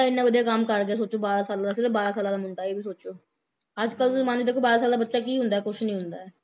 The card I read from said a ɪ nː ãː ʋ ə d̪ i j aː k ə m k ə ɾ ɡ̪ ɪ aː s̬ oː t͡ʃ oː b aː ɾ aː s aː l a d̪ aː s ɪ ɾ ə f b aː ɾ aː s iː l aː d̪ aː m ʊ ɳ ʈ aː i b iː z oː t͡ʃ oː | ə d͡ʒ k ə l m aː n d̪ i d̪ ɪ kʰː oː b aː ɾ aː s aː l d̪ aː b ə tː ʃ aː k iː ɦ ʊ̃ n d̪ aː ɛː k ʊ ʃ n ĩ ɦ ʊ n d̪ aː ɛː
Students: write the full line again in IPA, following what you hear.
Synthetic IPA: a ɪ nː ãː ʋ ə d̪ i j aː k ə m k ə ɾ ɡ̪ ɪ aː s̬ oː t͡ʃ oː b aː ɾ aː s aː l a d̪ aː s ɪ ɾ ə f b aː ɾ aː s aː l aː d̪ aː m ʊ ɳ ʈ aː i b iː s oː t͡ʃ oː | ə d͡ʒ k ə l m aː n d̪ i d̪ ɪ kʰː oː b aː ɾ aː s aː l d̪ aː b ə tː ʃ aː k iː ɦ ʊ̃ n d̪ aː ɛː k ʊ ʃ n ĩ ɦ ʊ n d̪ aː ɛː